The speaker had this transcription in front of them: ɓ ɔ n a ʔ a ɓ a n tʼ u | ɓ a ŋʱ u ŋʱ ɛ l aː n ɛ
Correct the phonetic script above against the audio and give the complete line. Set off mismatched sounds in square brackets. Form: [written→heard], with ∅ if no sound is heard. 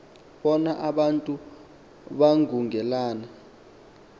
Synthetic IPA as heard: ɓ ɔ n a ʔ a ɓ a n tʼ u | ɓ a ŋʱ u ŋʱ ɛ l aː n [ɛ→a]